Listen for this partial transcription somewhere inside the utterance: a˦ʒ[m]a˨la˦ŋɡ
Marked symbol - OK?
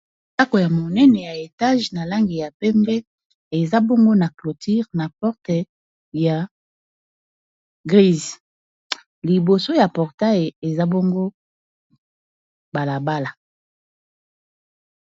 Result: no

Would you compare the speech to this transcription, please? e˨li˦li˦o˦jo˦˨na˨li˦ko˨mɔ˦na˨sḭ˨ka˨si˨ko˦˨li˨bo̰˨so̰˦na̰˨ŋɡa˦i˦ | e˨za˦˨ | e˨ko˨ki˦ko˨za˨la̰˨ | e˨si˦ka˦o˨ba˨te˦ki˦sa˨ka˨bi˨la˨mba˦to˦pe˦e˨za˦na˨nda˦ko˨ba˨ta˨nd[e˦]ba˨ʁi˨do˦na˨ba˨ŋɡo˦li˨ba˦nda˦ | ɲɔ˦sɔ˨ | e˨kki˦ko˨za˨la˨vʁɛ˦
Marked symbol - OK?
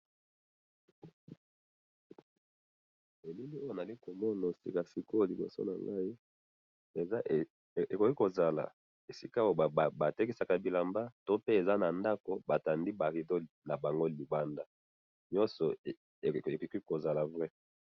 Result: no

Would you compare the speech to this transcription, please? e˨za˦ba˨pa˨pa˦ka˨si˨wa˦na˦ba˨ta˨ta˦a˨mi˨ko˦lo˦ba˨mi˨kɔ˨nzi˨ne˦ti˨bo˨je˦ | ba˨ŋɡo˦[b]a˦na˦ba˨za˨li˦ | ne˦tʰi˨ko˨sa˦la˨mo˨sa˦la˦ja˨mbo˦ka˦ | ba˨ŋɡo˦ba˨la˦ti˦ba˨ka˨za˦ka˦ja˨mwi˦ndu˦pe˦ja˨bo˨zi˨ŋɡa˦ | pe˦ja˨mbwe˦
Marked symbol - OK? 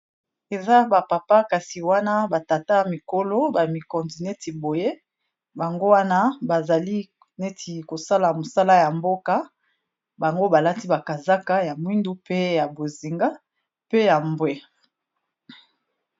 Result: no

